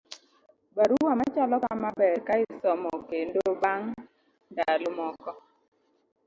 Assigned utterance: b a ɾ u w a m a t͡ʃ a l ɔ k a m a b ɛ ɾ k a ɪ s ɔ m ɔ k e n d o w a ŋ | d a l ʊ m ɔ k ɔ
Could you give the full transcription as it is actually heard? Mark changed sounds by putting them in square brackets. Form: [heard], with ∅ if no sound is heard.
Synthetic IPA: b a ɾ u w a m a t͡ʃ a l ɔ k a m a b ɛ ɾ k a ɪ s ɔ m ɔ k e n d o [b] a ŋ | d a l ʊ m ɔ k ɔ